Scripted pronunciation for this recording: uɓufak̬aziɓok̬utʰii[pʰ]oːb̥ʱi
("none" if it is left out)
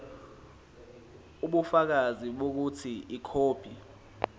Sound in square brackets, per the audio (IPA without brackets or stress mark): kʰ